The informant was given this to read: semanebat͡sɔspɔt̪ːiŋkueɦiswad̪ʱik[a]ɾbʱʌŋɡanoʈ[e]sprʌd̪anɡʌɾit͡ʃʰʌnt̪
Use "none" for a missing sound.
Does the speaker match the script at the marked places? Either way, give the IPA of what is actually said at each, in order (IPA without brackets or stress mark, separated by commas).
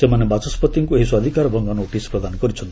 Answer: a, i